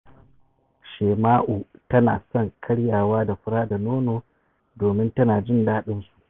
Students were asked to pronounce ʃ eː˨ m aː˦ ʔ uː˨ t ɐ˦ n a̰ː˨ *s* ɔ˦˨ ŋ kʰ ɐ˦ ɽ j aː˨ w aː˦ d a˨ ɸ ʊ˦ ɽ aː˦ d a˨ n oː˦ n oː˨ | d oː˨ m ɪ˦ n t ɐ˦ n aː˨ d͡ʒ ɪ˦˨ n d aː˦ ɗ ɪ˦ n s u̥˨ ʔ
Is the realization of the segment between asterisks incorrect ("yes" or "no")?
no